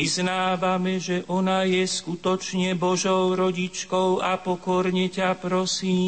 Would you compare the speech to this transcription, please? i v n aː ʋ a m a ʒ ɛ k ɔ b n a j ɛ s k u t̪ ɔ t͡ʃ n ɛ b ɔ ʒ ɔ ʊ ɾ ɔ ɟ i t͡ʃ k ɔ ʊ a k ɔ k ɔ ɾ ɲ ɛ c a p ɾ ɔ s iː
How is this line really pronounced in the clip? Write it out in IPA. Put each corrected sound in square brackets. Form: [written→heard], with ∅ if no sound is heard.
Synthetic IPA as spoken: i [v→z] n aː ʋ a m [a→ɛ] ʒ ɛ [k→ʔ] ɔ [b→∅] n a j ɛ s k u t̪ ɔ t͡ʃ [n→ɲ] ɛ b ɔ ʒ ɔ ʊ ɾ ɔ ɟ i t͡ʃ k ɔ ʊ a [k→p] ɔ k ɔ ɾ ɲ ɛ c a p ɾ ɔ s iː